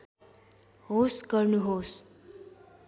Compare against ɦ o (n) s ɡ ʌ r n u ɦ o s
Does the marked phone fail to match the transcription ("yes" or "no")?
yes